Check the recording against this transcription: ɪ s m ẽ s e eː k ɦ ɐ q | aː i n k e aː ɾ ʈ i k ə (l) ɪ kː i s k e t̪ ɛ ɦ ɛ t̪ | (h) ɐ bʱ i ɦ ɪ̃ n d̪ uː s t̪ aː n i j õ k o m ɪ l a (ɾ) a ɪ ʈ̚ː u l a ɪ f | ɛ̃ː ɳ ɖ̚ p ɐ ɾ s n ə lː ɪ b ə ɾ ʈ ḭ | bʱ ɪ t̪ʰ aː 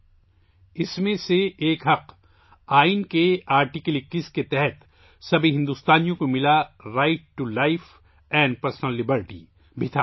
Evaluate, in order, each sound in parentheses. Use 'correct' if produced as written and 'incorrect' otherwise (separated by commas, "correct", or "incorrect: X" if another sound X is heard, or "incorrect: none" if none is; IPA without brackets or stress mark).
correct, incorrect: s, correct